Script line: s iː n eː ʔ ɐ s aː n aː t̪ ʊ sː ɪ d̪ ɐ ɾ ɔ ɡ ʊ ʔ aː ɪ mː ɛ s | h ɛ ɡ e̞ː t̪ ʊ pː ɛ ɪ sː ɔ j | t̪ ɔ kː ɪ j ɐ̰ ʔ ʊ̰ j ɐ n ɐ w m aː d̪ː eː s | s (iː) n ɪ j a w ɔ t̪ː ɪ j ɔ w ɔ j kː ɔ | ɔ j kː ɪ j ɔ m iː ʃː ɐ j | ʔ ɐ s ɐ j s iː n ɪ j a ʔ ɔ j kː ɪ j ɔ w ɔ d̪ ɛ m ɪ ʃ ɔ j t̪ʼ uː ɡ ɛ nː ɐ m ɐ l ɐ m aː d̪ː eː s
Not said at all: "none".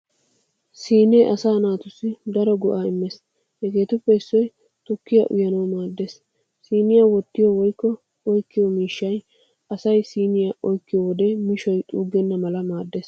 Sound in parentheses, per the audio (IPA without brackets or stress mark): iː